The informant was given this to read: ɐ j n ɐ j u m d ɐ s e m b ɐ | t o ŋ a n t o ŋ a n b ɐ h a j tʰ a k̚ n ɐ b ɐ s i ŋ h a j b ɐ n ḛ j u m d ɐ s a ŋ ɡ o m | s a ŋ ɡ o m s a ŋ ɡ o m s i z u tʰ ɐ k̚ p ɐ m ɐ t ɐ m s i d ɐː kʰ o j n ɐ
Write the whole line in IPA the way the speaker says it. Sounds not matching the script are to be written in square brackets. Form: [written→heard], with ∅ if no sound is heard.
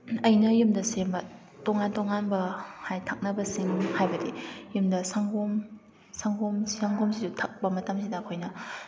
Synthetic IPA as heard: ɐ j n ɐ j u m d ɐ s e m b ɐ | t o ŋ a n t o ŋ a n b ɐ h a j tʰ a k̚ n ɐ b ɐ s i ŋ h a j b ɐ [n→d] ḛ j u m d ɐ s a ŋ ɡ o m | s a ŋ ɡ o m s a ŋ ɡ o m s i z u tʰ ɐ k̚ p ɐ m ɐ t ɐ m s i d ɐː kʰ o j n ɐ